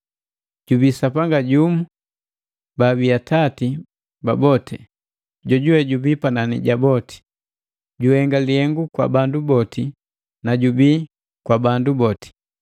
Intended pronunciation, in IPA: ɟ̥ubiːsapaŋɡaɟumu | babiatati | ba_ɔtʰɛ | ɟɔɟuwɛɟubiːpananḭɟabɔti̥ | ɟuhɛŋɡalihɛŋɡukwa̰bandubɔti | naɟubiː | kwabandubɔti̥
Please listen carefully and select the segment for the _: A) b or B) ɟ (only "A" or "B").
A